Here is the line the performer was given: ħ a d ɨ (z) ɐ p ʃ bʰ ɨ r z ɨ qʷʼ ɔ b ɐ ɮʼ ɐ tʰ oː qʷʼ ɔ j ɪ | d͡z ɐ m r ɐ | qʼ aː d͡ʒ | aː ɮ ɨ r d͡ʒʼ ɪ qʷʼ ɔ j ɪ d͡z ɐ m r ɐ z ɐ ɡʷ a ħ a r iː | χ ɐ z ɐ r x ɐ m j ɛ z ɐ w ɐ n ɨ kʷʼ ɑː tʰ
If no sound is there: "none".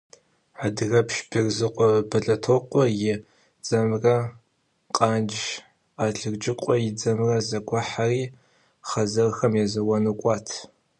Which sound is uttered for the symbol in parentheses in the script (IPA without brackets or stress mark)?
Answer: ɣ